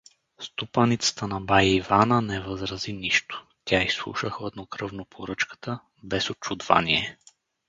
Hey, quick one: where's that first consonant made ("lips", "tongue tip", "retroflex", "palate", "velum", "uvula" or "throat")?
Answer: tongue tip